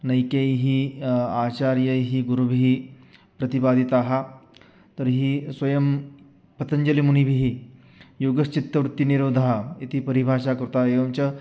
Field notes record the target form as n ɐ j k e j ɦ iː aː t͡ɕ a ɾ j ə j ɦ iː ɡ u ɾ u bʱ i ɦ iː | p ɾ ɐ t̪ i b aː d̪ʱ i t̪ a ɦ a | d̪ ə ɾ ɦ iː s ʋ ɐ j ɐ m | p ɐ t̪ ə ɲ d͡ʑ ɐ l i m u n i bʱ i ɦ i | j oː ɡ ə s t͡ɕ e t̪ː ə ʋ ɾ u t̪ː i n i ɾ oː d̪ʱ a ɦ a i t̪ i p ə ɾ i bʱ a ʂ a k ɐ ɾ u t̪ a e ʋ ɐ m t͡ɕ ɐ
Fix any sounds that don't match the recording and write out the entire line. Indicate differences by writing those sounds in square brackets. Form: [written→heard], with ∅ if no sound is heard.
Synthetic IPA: n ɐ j k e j ɦ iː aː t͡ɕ a ɾ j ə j ɦ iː ɡ u ɾ u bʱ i ɦ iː | p ɾ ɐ t̪ i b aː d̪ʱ i t̪ a ɦ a | [d̪→t̪] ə ɾ ɦ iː s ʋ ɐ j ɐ m | p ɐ t̪ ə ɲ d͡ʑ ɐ l i m u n i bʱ i ɦ i | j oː ɡ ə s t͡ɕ [e→i] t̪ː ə ʋ ɾ u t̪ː i n i ɾ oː d̪ʱ a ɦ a i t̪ i p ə ɾ i bʱ a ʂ a k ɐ ɾ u t̪ a e ʋ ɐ m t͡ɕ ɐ